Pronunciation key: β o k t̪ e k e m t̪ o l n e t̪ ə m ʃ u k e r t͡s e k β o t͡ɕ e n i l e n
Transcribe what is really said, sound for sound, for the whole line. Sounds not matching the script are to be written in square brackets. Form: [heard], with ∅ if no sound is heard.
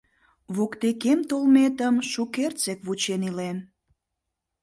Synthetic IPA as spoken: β o k t̪ e k e m t̪ o l [m] e t̪ ə m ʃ u k e r t͡s e k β [u] t͡ɕ e n i l e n